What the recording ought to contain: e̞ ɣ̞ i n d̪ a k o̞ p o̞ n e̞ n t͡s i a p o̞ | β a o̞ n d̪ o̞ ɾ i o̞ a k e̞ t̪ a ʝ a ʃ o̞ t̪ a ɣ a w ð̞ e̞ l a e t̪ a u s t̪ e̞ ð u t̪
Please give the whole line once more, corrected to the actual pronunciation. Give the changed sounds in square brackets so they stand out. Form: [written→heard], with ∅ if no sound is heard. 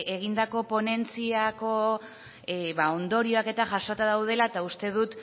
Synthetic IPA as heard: e̞ ɣ̞ i n d̪ a k o̞ p o̞ n e̞ n t͡s i a [p→k] o̞ | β a o̞ n d̪ o̞ ɾ i o̞ a k e̞ t̪ a ʝ a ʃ o̞ t̪ a [ɣ→ð] a w ð̞ e̞ l a e t̪ a u s t̪ e̞ ð u t̪